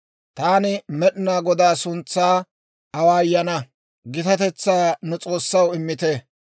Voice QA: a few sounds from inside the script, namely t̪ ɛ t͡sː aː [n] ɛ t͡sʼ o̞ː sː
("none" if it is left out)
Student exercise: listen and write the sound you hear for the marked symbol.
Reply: n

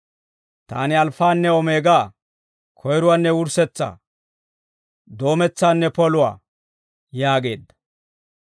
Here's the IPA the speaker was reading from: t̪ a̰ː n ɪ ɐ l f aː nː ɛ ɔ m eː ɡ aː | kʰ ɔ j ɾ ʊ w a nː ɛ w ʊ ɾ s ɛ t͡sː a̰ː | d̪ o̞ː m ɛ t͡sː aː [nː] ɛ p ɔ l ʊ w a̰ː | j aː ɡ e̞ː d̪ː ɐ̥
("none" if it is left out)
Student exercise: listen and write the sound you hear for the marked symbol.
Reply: nː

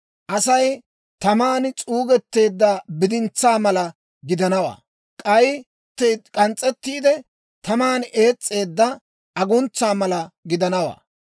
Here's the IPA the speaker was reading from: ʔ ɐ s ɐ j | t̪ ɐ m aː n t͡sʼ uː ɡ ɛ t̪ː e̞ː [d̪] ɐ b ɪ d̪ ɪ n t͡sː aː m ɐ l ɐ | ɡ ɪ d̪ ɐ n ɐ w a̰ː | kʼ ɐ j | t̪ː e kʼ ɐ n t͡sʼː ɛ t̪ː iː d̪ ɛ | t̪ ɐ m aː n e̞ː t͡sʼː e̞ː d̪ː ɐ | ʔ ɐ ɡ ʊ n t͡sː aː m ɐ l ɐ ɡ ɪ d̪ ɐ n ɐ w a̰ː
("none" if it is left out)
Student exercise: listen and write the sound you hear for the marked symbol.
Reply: d̪ː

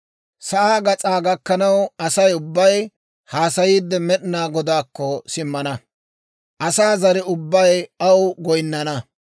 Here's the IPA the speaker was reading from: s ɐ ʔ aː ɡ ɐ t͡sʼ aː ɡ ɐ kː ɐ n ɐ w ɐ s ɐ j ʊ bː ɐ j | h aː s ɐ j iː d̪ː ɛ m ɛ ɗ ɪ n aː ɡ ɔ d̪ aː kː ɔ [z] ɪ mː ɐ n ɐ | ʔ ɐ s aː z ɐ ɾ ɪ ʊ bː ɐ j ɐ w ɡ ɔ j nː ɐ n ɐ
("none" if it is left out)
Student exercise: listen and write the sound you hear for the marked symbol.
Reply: s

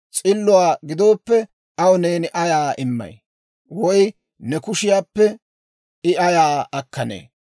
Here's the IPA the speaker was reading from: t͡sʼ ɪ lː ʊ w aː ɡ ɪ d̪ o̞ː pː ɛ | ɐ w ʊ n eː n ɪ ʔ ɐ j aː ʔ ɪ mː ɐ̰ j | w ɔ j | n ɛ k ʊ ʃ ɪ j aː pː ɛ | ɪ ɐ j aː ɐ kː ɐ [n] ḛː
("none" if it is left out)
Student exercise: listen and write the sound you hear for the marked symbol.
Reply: n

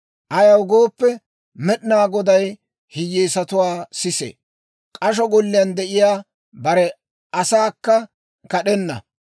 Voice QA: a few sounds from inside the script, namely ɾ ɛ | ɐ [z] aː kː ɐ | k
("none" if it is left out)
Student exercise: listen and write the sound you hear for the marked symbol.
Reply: s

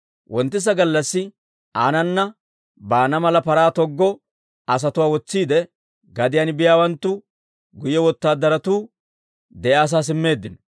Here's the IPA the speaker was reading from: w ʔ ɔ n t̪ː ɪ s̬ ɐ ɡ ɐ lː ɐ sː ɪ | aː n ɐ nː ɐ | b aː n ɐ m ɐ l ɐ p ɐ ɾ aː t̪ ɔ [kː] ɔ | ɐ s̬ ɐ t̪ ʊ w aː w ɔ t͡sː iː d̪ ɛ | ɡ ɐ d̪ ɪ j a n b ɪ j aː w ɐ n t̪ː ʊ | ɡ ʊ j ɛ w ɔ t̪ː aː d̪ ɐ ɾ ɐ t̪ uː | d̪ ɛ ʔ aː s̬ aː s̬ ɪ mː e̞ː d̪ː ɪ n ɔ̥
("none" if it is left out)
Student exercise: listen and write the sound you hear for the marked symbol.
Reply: ɡː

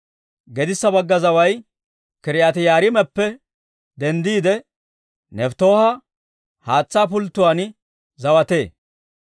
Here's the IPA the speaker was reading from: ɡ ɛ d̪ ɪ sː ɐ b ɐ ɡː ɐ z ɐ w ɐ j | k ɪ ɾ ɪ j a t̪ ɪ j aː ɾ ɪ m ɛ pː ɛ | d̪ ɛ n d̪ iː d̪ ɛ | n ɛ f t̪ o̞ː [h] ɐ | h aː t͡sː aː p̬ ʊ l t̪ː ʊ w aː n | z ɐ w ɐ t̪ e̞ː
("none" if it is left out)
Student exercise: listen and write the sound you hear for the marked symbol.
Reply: h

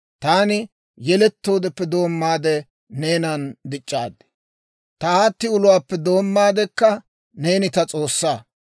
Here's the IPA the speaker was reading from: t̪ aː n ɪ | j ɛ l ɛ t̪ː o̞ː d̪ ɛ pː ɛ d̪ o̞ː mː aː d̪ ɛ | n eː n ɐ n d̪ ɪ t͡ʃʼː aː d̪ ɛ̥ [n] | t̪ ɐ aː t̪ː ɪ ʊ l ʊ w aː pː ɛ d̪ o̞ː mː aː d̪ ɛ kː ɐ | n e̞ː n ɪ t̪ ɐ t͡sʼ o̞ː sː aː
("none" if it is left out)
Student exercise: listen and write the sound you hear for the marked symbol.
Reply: none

